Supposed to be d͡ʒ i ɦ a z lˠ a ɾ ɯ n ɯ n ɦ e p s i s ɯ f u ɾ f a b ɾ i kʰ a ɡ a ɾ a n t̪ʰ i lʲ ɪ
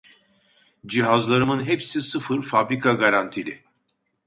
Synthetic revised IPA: d͡ʒ i ɦ a z lˠ a ɾ ɯ m ɯ n ɦ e p s i s ɯ f ɯ ɾ f a b ɾ i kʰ a ɡ a ɾ a n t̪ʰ i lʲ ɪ